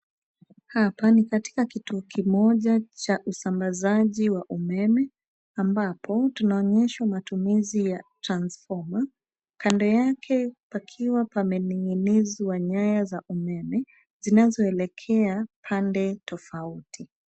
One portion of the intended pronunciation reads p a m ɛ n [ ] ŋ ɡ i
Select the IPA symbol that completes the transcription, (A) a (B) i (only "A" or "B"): B